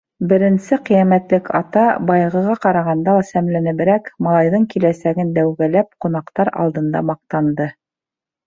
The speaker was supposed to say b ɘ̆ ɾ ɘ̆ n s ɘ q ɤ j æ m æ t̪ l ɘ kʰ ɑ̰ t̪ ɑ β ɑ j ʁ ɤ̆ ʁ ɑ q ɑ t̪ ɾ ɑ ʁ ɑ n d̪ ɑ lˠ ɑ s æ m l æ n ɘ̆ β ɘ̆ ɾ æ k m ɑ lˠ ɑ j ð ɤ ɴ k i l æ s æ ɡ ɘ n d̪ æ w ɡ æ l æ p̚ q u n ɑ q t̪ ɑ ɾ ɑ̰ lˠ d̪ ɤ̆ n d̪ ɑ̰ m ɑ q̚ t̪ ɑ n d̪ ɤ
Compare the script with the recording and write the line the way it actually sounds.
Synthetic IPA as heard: b ɘ̆ ɾ ɘ̆ n s ɘ q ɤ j æ m æ t̪ l ɘ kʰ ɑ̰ t̪ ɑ b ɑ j ʁ ɤ̆ ʁ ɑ q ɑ ɾ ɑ ʁ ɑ n d̪ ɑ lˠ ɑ s æ m l æ n ɘ̆ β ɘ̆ ɾ æ k m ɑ lˠ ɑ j ð ɤ ɴ k i l æ s æ ɡ ɘ n d̪ æ w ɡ æ l æ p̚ q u n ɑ q t̪ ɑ ɾ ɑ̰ lˠ d̪ ɤ̆ n d̪ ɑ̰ m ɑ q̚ t̪ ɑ n d̪ ɤ